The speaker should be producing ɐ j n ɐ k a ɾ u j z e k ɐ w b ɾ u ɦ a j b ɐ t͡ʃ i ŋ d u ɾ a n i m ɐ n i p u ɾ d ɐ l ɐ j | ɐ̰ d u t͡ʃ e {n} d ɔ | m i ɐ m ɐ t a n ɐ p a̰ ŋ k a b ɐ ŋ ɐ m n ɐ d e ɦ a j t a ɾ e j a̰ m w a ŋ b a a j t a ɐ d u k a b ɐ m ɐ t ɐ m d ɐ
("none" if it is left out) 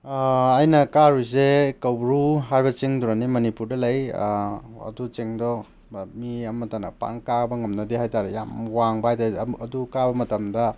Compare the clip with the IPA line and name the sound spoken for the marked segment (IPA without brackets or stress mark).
ŋ